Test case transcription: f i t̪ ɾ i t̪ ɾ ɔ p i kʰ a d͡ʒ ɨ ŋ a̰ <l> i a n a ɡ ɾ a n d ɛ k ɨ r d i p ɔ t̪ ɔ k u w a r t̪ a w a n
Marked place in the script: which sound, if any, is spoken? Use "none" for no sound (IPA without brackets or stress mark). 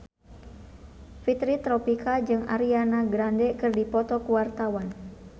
ɾ